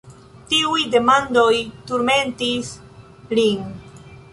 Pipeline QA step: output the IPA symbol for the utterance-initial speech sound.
t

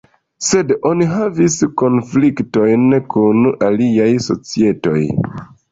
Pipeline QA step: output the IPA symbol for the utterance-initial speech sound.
s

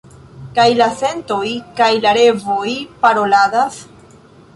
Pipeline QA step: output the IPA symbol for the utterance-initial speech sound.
k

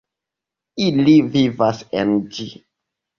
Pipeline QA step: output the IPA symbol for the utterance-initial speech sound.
i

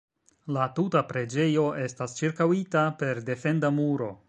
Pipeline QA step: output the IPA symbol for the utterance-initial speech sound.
l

